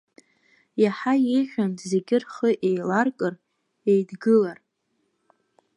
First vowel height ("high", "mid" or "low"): low